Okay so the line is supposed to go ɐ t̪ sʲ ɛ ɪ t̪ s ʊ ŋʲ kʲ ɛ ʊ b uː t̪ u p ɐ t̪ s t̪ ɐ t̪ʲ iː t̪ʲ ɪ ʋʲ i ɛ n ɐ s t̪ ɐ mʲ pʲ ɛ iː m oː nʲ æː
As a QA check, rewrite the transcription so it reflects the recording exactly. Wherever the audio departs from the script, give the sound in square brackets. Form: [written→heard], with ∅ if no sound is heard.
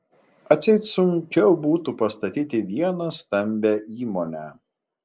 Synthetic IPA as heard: ɐ t̪ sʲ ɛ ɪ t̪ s ʊ ŋʲ kʲ ɛ ʊ b uː t̪ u p ɐ [t̪→∅] s t̪ ɐ t̪ʲ iː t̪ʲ ɪ ʋʲ i ɛ n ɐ s t̪ ɐ mʲ [pʲ→bʲ] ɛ iː m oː nʲ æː

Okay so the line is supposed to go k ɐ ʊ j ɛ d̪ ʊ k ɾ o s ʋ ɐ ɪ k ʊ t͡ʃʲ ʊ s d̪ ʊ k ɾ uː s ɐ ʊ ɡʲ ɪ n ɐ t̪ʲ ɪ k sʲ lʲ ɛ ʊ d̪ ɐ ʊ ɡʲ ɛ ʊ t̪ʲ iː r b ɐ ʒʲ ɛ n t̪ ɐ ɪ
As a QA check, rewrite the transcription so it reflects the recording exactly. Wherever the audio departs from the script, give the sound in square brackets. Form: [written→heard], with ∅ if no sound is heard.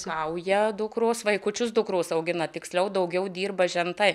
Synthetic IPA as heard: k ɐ ʊ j ɛ d̪ ʊ k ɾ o s ʋ ɐ ɪ k ʊ t͡ʃʲ ʊ s d̪ ʊ k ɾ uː s ɐ ʊ ɡʲ ɪ n ɐ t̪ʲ ɪ k sʲ lʲ ɛ ʊ d̪ ɐ ʊ ɡʲ ɛ ʊ [t̪ʲ→d̪ʲ] iː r b ɐ ʒʲ ɛ n t̪ ɐ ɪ

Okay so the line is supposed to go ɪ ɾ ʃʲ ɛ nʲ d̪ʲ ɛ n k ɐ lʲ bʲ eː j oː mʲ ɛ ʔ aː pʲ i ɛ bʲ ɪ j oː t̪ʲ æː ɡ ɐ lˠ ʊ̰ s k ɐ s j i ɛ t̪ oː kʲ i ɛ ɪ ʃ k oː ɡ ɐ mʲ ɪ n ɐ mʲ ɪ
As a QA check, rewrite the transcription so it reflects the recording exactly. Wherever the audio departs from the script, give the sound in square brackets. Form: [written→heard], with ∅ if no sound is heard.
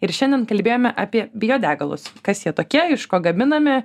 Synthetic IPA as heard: ɪ ɾ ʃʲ ɛ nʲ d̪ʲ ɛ n k ɐ lʲ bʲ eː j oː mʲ ɛ ʔ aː pʲ i ɛ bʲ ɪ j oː [t̪ʲ→d̪ʲ] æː ɡ ɐ lˠ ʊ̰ s k ɐ s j i ɛ t̪ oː kʲ i ɛ ɪ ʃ k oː ɡ ɐ mʲ ɪ n ɐ mʲ ɪ

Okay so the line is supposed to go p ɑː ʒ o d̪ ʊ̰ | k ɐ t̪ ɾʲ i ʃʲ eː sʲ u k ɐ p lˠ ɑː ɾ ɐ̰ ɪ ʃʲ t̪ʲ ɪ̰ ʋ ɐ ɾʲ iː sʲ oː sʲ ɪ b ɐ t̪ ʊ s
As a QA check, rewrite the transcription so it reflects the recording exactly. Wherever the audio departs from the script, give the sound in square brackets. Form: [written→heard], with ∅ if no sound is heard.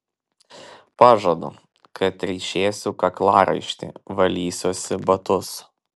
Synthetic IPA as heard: p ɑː ʒ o d̪ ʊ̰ | k ɐ t̪ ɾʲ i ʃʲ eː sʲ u k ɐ [p→k] lˠ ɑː ɾ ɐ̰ ɪ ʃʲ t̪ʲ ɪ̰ ʋ ɐ [ɾʲ→lʲ] iː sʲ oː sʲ ɪ b ɐ t̪ ʊ s

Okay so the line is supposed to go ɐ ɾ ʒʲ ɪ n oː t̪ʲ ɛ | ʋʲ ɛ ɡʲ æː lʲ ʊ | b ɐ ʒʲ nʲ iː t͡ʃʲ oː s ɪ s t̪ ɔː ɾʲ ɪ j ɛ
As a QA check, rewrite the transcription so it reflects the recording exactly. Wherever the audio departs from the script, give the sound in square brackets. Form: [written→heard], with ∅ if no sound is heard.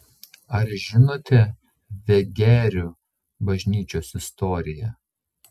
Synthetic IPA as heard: ɐ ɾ ʒʲ ɪ n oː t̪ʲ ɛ | ʋʲ ɛ ɡʲ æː [lʲ→ɾʲ] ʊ | b ɐ ʒʲ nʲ iː t͡ʃʲ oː s ɪ s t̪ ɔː ɾʲ ɪ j ɛ

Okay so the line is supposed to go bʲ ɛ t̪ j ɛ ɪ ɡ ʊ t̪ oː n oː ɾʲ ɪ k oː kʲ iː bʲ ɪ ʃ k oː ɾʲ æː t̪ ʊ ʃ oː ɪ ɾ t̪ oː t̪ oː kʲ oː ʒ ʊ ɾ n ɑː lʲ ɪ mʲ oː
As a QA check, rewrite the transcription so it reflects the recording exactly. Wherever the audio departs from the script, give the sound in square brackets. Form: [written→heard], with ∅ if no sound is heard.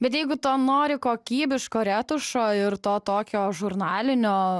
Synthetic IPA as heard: bʲ ɛ t̪ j ɛ ɪ ɡ ʊ t̪ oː n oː ɾʲ ɪ k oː kʲ iː bʲ ɪ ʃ k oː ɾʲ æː t̪ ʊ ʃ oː ɪ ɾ t̪ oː t̪ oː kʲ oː ʒ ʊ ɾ n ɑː lʲ ɪ [mʲ→nʲ] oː

